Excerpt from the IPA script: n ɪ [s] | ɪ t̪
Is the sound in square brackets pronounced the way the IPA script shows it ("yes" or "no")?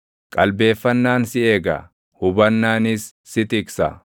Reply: no